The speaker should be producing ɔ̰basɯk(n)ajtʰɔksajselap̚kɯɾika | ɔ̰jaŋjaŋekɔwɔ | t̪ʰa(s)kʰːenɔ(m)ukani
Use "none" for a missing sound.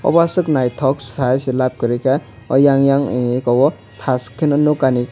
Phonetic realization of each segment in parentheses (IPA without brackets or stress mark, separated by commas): n, s, n